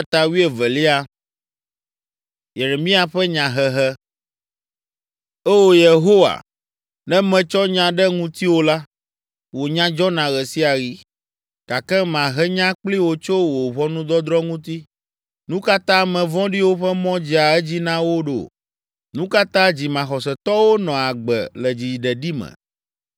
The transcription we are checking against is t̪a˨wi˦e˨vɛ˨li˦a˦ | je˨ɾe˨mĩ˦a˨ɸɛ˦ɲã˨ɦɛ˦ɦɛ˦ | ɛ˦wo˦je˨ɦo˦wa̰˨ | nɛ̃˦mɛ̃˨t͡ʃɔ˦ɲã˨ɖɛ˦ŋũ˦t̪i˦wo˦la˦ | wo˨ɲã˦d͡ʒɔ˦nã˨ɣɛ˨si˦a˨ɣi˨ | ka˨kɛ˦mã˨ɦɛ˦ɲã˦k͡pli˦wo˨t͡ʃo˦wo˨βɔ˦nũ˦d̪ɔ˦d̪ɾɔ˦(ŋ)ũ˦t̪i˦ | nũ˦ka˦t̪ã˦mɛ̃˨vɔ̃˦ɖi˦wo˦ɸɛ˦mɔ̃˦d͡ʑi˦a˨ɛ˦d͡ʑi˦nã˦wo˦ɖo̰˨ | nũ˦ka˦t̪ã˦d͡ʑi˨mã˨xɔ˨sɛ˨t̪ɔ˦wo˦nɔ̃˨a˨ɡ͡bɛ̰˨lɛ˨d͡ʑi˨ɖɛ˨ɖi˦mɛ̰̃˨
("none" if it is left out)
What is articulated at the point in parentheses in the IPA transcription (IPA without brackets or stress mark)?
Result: ŋ